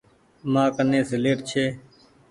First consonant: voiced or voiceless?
voiced